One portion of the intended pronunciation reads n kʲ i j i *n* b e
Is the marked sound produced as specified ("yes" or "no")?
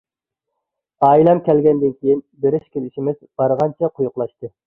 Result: yes